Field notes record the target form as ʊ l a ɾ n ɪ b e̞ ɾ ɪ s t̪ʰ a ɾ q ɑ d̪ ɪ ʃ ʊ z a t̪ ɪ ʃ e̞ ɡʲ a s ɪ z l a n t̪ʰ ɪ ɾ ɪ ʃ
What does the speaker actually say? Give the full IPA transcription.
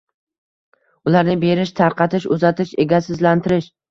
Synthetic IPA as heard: ʊ l a ɾ n ɪ b e̞ ɾ ɪ ʃ t̪ʰ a ɾ q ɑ t̪ ɪ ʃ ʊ z a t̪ ɪ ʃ e̞ ɡʲ a s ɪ z l a n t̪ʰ ɪ ɾ ɪ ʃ

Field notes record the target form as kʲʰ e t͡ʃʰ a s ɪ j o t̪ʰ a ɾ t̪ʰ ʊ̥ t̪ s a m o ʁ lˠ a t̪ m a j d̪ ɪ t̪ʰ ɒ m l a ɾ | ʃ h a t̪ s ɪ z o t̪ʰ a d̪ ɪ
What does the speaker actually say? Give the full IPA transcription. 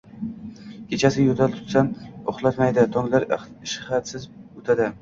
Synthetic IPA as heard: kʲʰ e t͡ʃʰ a s ɪ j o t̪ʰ a l t̪ʰ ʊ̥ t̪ s a m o χ lˠ a t̪ m a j d̪ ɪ t̪ʰ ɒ ŋ l a ɾ | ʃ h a t̪ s ɪ z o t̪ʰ a d̪ ɪ

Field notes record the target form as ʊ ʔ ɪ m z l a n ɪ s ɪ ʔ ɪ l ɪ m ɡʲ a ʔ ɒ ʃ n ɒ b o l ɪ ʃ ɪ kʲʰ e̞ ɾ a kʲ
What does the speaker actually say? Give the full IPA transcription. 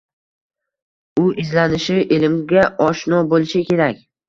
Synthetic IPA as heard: ʊ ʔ ɪ z l a n ɪ ʃ ɪ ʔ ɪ l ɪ m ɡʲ a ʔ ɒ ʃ n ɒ b o l ɪ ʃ ɪ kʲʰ e̞ ɾ a kʲ

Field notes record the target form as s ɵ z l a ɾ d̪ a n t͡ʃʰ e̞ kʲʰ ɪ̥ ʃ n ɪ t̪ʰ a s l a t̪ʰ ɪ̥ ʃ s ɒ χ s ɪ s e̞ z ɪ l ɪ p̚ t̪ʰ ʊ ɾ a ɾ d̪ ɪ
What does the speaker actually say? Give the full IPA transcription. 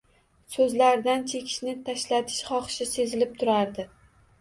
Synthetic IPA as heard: s ɵ z l a ɾ d̪ a n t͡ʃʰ e̞ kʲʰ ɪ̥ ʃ n ɪ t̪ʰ a ʃ l a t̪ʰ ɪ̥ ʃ χ ɒ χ ʃ ɪ s e̞ z ɪ l ɪ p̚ t̪ʰ ʊ ɾ a ɾ d̪ ɪ

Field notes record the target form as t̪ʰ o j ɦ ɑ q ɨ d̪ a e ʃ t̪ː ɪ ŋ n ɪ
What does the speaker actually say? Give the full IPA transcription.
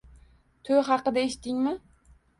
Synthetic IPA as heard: t̪ʰ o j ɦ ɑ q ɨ d̪ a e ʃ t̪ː ɪ ŋ m ɪ

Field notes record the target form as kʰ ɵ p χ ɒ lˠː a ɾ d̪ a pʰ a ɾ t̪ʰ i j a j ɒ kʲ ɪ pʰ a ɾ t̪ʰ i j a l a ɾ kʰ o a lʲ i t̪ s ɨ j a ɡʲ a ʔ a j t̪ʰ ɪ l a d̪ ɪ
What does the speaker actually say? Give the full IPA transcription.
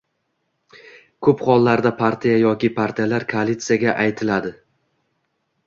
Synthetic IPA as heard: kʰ ɵ p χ ɒ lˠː a ɾ d̪ a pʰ a ɾ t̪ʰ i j a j ɒ kʲ ɪ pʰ a ɾ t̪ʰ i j a l a ɾ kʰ o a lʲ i t̪ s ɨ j a ɡʲ a ʔ a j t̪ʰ ɪ l a d̪ ɪ

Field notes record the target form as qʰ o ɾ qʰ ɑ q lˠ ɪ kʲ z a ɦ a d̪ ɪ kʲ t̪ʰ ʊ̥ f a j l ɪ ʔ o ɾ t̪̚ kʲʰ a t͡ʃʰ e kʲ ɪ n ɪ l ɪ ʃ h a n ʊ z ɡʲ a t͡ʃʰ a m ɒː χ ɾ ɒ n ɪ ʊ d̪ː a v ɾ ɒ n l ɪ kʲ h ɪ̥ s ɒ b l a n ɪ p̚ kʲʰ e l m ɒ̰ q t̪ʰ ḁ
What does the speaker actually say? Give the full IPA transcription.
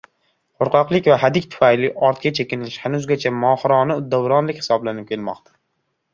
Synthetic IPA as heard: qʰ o ɾ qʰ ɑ q lˠ ɪ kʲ v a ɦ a d̪ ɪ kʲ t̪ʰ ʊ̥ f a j l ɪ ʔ ɒ ɾ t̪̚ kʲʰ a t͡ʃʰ e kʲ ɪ n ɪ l ɪ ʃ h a n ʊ z ɡʲ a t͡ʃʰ a m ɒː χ ɾ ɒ n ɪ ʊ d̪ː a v ɾ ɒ n l ɪ kʲ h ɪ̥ s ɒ b l a n ɪ p̚ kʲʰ e l m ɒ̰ q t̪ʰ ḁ

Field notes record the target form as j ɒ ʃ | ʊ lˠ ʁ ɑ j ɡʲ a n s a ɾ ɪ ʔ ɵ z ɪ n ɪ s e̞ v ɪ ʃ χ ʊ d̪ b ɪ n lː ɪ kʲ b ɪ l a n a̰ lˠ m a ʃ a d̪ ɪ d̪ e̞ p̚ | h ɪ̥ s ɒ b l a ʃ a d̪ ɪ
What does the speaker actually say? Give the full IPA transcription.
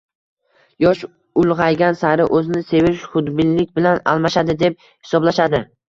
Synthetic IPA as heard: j ɒ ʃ | ʊ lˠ ʁ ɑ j ɡʲ a n s a ɾ ɪ ʔ ɵ z ɪ n ɪ s e̞ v ɪ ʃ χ ʊ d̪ b ɪ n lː ɪ kʲ b ɪ l a n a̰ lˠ m a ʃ a d̪ ɪ d̪ e̞ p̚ | h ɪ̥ s ɒ b l a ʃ a d̪ ɪ

